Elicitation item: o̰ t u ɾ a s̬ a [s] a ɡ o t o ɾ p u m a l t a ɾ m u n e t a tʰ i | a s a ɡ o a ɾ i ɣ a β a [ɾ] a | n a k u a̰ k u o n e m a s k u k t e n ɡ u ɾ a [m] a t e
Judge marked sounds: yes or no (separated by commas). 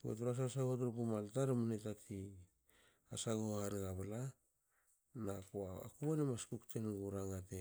yes, no, no